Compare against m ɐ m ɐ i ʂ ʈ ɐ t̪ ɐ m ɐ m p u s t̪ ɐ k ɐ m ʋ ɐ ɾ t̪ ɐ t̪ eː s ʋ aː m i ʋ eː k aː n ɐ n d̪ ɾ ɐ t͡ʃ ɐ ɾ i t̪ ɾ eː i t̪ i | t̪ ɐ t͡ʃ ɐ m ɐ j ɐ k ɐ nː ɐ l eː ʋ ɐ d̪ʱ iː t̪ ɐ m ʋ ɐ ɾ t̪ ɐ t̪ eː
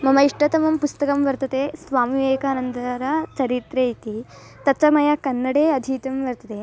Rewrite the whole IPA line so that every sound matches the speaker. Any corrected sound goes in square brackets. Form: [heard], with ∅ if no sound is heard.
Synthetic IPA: m ɐ m ɐ i ʂ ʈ ɐ t̪ ɐ m ɐ m p u s t̪ ɐ k ɐ m ʋ ɐ ɾ t̪ ɐ t̪ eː s ʋ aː m i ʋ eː k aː n ɐ n d̪ ɾ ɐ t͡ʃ ɐ ɾ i t̪ ɾ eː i t̪ i | t̪ ɐ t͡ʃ ɐ m ɐ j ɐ k ɐ nː ɐ [ɽ] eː [∅] ɐ d̪ʱ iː t̪ ɐ m ʋ ɐ ɾ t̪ ɐ t̪ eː